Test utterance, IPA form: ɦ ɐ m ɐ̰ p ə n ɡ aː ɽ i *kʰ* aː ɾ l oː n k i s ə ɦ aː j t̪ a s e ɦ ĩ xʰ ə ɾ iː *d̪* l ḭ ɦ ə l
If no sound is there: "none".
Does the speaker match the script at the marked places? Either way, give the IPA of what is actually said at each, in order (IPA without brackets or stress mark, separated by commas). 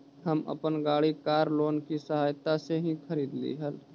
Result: k, d̪